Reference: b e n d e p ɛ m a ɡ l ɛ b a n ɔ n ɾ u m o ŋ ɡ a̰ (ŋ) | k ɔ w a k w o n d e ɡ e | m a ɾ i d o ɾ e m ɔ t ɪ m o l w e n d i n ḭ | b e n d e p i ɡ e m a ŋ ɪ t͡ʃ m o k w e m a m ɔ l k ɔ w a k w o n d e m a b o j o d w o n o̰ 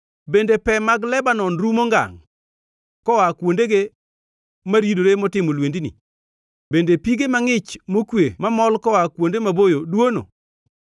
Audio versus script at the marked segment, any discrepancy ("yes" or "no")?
no